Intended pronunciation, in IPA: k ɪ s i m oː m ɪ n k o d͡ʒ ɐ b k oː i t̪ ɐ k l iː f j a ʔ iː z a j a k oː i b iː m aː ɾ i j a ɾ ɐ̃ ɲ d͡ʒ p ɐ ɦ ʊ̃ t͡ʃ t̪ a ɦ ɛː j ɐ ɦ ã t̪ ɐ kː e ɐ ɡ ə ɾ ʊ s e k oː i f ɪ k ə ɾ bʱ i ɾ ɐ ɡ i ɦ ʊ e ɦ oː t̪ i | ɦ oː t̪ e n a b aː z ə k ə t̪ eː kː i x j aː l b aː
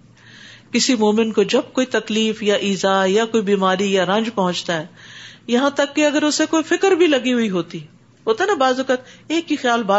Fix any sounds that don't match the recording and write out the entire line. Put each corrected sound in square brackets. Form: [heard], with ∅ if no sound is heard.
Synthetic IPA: k ɪ s i m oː m ɪ n k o d͡ʒ ɐ b k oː i t̪ ɐ k l iː f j a ʔ iː z a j a k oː i b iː m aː ɾ i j a ɾ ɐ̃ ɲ d͡ʒ p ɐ ɦ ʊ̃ t͡ʃ t̪ a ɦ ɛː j ɐ ɦ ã t̪ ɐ kː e ɐ ɡ ə ɾ ʊ s e k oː i f ɪ k ə ɾ bʱ i [l] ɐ ɡ i ɦ ʊ [i] ɦ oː t̪ i | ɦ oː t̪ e n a b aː z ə k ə t̪ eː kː i x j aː l b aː